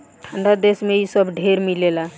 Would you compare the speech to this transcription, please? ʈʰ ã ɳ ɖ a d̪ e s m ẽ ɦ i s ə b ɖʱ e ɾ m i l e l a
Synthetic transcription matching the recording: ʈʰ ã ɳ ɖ a d̪ e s m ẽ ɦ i s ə b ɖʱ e ɾ m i l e l a

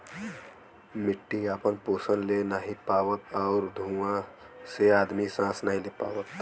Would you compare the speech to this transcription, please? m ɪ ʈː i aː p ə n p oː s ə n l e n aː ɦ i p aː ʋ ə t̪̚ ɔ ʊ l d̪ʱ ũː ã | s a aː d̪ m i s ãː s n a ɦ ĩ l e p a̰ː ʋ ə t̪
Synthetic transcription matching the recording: m ɪ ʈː i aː p ə n p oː s ə n l e n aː ɦ i p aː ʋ ə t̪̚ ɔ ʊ ɾ d̪ʱ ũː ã | s e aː d̪ m i s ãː s n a ɦ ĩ l e p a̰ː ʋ ə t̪

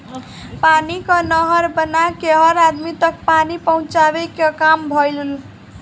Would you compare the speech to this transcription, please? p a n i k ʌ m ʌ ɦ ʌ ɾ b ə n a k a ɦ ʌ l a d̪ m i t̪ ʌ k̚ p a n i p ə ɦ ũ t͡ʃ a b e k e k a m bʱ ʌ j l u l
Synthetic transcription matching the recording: p a n i k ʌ n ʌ ɦ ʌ ɾ b ə n a k e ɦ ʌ ɾ a d̪ m i t̪ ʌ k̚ p a n i p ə ɦ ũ t͡ʃ a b e k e k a m bʱ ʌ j l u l

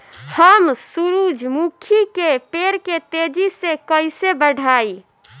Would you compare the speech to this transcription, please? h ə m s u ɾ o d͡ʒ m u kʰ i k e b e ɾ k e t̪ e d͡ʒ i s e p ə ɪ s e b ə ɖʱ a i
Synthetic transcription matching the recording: h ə m s u ɾ u d͡ʒ m u kʰ i k e p e ɾ k e t̪ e d͡ʒ i s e k ə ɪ s e b ə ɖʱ a i

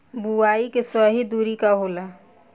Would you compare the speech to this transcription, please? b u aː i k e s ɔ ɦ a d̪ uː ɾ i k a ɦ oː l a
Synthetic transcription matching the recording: b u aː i k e s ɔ ɦ i d̪ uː ɾ i k a ɦ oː l a

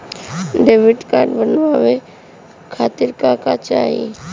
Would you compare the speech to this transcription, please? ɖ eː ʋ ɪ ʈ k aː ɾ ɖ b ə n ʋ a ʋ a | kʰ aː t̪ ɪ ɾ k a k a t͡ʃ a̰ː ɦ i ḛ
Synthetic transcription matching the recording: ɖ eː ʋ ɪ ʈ k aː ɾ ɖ b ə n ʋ a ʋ e | kʰ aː t̪ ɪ ɾ k a k a t͡ʃ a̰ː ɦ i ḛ

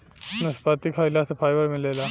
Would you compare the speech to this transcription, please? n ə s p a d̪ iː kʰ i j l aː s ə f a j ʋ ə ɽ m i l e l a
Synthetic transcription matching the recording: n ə s p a t̪ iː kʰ a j l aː s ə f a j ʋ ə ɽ m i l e l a

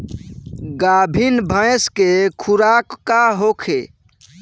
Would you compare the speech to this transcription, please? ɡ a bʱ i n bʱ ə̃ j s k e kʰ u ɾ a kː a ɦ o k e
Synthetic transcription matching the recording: ɡ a bʱ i n bʱ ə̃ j s k e kʰ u ɾ a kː a ɦ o kʰ e

